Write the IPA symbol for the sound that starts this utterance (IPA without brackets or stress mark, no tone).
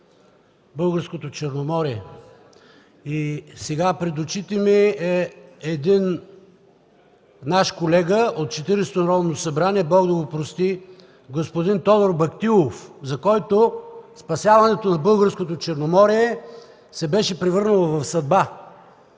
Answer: b